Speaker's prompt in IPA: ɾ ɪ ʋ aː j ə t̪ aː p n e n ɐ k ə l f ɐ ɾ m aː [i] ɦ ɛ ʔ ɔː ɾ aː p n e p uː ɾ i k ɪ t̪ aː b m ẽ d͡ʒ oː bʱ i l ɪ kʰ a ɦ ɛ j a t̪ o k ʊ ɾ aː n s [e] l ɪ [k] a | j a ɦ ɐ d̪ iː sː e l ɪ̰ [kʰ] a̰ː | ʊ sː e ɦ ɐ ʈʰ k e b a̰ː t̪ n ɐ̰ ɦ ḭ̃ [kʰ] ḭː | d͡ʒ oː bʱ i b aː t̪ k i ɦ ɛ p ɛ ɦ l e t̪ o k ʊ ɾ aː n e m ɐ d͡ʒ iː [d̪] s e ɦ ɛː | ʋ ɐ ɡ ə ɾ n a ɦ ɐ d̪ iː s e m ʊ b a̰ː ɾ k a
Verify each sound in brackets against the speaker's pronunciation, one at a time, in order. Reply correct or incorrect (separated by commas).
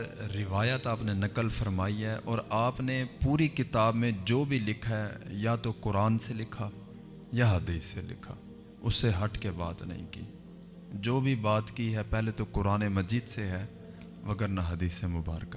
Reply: correct, correct, incorrect, correct, incorrect, correct